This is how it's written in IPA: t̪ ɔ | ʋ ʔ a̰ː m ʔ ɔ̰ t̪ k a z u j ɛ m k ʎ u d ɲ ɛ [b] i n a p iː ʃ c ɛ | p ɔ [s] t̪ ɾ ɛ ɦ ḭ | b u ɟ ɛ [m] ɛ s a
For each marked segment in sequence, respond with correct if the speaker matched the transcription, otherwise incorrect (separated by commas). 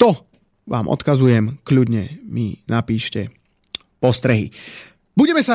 incorrect, correct, correct